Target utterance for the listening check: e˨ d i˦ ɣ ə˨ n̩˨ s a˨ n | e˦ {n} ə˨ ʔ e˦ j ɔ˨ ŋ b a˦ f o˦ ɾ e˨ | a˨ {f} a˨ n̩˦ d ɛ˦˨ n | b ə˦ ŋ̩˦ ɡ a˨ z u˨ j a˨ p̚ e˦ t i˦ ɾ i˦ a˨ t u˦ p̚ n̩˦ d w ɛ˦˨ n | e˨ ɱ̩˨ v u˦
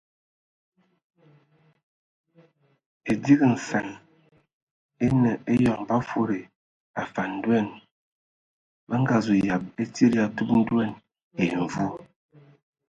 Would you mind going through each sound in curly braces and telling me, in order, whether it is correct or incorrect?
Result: correct, correct

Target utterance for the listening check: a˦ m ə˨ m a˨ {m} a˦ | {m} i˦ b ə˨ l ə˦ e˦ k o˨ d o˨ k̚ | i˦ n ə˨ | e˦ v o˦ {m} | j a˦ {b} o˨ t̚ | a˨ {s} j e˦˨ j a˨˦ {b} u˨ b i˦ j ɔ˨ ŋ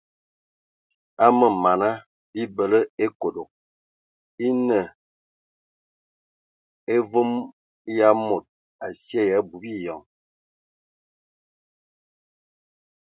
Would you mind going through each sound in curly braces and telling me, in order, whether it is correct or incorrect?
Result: incorrect: n, incorrect: b, correct, incorrect: m, correct, correct

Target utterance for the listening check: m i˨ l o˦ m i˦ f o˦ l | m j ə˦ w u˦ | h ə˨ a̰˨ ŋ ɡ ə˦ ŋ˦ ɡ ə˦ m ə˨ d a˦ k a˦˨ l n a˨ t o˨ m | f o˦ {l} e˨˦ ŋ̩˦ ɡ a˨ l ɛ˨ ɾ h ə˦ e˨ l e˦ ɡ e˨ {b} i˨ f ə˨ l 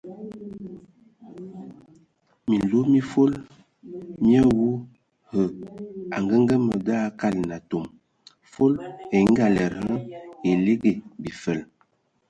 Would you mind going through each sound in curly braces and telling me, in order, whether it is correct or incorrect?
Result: correct, correct

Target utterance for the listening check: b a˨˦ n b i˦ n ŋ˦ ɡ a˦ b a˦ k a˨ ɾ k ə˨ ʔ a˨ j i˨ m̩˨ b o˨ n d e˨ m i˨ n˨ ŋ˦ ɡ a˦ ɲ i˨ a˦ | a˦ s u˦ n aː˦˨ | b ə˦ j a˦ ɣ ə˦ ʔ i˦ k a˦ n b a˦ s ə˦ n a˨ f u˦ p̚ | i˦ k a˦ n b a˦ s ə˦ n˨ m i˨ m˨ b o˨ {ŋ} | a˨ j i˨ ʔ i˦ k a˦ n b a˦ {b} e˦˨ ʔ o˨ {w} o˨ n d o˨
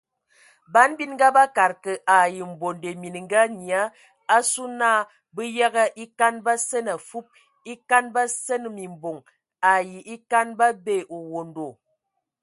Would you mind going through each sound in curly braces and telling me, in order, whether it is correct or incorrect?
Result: correct, correct, correct

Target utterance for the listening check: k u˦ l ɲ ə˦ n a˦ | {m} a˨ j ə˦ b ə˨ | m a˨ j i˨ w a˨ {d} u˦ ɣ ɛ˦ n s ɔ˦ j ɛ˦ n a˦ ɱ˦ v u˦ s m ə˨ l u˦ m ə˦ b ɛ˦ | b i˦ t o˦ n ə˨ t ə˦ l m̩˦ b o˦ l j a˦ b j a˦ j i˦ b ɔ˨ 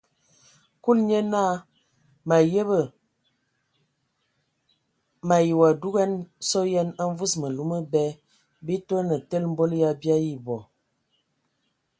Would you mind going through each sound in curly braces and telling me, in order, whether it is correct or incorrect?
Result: correct, correct

